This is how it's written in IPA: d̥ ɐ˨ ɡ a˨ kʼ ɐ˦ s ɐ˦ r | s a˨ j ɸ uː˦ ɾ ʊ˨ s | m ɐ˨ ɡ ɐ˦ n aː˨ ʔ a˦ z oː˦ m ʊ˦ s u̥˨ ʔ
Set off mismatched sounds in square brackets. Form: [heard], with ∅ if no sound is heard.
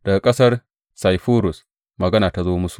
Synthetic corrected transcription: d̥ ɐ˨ ɡ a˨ kʼ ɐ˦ s ɐ˦ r | s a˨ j ɸ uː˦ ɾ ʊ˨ s | m ɐ˨ ɡ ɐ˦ n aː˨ [t] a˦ z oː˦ m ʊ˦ s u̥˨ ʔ